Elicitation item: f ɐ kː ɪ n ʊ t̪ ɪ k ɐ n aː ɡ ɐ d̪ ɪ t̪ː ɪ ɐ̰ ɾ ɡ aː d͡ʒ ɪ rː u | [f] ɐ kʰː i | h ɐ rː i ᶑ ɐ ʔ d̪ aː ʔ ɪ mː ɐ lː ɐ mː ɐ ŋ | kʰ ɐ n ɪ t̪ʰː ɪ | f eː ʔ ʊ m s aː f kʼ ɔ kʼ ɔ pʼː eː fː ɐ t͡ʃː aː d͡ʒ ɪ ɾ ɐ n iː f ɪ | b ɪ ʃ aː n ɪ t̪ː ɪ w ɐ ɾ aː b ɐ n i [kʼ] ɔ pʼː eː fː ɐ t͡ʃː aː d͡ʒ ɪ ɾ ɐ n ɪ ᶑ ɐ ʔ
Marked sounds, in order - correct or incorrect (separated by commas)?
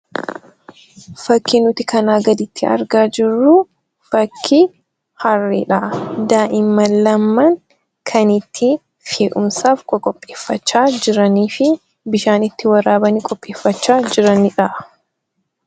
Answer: correct, correct